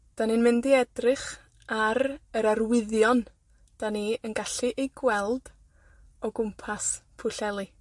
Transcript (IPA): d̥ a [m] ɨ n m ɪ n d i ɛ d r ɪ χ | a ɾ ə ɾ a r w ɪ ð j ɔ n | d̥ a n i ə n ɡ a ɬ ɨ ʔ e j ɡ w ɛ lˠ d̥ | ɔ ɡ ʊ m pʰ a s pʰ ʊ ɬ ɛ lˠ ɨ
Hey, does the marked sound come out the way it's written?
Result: no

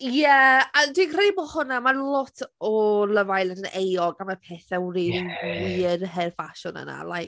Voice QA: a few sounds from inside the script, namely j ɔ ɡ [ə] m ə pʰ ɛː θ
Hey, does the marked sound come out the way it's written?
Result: no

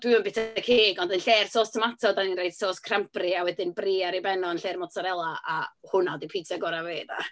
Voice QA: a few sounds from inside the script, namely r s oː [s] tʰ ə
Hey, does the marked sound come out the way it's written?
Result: yes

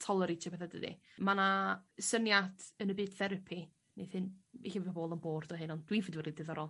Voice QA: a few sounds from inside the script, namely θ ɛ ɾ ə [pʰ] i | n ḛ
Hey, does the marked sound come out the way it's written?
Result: yes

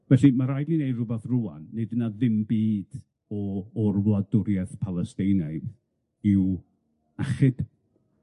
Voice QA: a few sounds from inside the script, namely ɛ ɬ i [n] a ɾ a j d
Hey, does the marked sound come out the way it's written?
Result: no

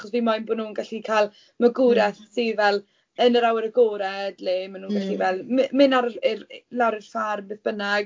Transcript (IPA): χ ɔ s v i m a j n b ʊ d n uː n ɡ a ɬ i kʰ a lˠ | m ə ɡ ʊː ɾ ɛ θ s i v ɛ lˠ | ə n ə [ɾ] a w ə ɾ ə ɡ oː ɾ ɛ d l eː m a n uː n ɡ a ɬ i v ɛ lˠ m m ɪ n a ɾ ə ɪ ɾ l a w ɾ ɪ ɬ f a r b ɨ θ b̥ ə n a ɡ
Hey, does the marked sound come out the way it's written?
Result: yes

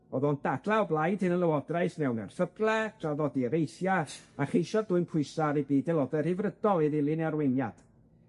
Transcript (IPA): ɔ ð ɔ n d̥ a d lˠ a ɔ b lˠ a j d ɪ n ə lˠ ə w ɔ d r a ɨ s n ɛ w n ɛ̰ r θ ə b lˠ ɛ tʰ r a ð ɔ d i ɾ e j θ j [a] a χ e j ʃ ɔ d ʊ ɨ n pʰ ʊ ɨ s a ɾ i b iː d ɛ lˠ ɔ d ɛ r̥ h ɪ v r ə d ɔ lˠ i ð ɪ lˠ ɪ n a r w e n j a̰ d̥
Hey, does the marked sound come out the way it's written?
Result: yes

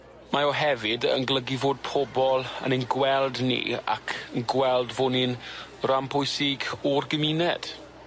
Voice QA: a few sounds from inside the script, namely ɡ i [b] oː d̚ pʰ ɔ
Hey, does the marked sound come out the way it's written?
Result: no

